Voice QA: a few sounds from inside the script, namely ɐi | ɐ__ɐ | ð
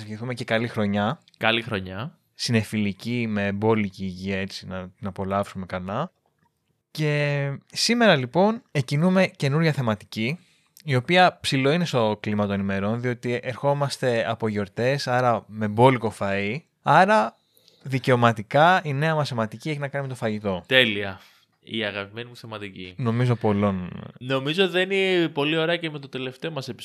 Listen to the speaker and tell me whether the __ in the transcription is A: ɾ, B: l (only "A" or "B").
A